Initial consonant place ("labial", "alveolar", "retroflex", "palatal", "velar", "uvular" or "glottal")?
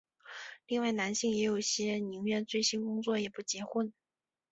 alveolar